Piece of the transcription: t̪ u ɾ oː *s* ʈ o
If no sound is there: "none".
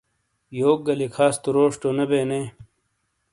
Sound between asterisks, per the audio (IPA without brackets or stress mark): ʂ